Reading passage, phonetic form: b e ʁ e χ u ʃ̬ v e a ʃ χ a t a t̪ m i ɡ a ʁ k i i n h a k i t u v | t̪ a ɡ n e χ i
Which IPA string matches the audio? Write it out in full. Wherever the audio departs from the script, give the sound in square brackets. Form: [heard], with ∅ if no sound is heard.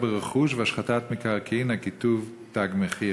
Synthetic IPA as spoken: b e ʁ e χ u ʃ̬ v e a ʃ χ a t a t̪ m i [k] a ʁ k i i n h a k i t u v | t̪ a ɡ [m] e χ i